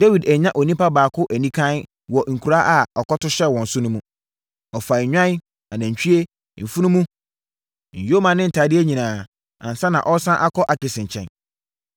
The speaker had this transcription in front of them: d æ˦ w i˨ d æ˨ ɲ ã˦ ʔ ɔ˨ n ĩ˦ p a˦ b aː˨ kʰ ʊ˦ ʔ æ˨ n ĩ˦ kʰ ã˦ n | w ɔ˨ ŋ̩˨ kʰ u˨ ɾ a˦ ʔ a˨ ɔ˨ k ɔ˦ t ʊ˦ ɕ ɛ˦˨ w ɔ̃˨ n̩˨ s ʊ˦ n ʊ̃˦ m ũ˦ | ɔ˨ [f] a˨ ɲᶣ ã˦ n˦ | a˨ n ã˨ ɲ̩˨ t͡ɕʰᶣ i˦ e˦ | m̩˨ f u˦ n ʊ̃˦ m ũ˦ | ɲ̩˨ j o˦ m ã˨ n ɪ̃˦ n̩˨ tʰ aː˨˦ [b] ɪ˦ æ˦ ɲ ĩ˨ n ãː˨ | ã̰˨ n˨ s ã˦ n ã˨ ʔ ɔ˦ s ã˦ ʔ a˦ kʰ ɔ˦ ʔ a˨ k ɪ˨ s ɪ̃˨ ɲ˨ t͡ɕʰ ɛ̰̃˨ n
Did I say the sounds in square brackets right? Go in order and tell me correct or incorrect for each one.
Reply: correct, incorrect: d

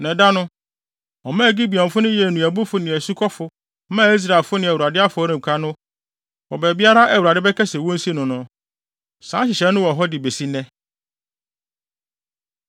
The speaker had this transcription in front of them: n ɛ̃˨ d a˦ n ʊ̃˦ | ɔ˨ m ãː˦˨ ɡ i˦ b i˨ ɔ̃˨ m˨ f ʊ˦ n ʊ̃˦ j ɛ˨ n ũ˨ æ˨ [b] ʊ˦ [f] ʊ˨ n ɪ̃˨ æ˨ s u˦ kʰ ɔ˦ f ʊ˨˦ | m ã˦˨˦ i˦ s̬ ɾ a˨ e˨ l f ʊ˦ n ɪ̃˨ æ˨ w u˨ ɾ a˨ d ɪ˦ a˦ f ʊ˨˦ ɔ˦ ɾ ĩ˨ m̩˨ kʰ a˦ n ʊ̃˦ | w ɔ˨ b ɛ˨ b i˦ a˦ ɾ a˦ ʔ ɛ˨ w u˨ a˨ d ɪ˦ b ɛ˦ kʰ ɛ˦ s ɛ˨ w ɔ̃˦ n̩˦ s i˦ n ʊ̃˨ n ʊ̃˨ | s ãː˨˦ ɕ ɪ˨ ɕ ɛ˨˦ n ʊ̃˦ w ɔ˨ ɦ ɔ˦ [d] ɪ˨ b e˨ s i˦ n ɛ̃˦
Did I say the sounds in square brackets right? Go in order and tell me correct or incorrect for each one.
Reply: correct, correct, correct

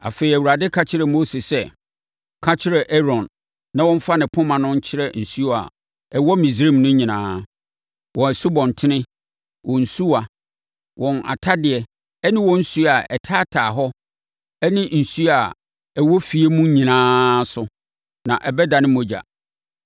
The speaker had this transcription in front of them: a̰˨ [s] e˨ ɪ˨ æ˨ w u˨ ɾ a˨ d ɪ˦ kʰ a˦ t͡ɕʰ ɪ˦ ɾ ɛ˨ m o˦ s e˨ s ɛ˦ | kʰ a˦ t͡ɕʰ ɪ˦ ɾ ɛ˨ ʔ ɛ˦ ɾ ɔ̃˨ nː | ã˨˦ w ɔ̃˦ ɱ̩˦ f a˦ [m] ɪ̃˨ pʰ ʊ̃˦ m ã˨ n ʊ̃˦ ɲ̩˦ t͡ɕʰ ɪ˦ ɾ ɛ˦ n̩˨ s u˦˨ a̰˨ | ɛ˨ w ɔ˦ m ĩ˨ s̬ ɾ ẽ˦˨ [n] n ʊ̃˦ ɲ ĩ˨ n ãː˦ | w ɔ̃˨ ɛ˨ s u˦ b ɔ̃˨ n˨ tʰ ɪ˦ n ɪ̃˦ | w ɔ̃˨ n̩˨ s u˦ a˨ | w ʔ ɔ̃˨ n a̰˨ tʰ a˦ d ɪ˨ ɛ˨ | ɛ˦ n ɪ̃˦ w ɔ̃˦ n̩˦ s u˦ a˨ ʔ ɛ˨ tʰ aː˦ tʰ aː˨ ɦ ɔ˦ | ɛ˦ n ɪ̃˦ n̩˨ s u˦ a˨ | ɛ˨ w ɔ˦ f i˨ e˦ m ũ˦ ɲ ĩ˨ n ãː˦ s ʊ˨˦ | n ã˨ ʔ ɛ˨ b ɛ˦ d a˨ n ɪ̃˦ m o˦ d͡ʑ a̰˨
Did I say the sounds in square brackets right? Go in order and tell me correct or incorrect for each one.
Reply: incorrect: f, incorrect: n, incorrect: m

